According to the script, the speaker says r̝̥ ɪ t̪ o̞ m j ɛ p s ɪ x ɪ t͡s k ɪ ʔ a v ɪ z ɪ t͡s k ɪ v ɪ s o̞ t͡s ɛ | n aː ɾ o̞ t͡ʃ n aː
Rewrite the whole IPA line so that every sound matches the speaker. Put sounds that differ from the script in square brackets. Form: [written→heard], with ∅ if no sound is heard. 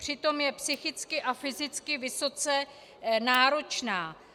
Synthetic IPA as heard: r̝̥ ɪ t̪ o̞ m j ɛ p s ɪ x ɪ t͡s k ɪ ʔ a [v→f] ɪ z ɪ t͡s k ɪ v ɪ s o̞ t͡s ɛ | n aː ɾ o̞ t͡ʃ n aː